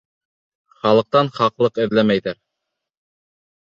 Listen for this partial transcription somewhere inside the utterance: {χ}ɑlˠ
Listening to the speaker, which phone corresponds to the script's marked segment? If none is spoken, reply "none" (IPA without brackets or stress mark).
χ